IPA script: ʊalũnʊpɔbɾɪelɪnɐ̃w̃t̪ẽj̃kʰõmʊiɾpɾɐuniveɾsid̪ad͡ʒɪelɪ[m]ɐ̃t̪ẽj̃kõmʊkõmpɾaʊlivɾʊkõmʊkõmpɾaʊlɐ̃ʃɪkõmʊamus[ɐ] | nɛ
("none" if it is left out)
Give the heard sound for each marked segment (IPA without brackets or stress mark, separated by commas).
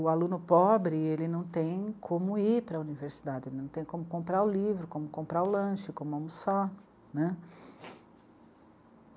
n, a